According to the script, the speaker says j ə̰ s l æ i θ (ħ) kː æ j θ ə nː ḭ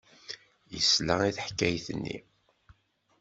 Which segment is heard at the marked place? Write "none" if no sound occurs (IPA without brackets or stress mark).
ħ